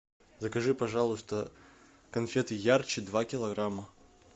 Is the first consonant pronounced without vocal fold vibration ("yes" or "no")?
no